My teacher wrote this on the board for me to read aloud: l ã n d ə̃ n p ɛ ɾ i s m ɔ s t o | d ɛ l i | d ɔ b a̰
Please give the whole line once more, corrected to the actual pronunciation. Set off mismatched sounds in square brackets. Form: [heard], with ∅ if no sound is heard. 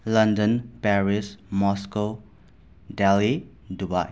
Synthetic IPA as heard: l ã n d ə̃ n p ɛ [ɹ] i s m ɔ s [k] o | d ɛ l i | d [u] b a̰